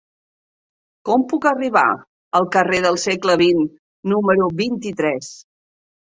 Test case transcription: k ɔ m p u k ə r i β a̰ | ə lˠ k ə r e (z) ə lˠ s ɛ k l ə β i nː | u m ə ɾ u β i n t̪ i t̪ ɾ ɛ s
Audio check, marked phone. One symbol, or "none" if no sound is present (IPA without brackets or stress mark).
ð